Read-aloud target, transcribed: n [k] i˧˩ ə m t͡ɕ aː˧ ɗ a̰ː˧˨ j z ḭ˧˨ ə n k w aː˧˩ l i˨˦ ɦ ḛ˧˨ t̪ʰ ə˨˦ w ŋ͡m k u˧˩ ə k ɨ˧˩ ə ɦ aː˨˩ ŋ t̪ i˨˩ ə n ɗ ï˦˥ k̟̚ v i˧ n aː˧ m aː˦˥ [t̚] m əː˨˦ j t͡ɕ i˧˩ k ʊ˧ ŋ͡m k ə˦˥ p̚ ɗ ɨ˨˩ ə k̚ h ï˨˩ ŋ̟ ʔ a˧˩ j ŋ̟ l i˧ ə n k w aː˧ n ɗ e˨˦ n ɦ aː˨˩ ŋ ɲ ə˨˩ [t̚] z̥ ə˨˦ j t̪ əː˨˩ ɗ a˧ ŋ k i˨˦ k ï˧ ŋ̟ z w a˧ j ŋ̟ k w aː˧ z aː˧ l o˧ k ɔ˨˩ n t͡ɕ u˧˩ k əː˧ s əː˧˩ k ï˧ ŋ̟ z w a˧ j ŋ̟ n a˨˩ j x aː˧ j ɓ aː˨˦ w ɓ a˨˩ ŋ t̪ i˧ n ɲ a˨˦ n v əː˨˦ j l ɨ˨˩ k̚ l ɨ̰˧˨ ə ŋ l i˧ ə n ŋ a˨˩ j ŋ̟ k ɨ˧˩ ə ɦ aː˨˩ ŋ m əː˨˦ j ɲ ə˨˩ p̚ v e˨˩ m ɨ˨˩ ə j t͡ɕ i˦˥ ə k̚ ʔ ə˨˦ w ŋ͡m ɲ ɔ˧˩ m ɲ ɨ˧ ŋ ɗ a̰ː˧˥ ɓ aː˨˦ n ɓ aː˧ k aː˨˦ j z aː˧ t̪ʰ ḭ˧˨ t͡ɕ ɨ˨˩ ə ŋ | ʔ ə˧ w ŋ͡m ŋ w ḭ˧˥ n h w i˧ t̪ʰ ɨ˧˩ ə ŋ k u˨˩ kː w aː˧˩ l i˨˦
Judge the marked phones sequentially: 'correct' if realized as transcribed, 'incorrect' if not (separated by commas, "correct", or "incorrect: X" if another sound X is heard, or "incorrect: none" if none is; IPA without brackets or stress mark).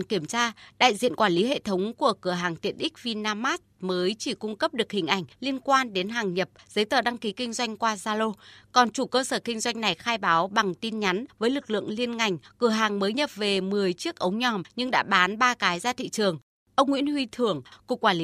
correct, correct, incorrect: p̚